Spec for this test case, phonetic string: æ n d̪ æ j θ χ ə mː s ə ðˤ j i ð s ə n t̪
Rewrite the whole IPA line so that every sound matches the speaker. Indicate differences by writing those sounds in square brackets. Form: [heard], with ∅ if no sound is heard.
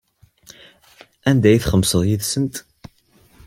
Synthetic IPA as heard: æ n d̪ æ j θ χ ə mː s ə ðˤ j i ð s ə n t̪